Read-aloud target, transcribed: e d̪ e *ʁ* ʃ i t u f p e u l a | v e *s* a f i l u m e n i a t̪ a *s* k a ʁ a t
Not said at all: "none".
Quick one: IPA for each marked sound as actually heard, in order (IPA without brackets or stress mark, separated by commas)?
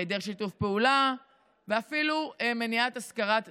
ʁ, none, s